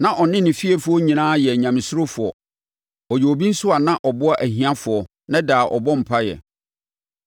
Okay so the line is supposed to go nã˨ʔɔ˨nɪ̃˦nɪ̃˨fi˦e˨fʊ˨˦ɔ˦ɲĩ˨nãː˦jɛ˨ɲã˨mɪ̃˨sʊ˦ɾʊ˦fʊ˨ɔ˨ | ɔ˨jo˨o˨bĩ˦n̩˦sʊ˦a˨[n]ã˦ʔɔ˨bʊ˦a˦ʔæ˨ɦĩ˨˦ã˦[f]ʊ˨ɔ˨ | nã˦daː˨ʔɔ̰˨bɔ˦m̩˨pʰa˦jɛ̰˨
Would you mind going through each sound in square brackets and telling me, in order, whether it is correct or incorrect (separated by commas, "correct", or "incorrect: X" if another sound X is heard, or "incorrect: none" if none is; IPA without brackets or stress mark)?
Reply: correct, correct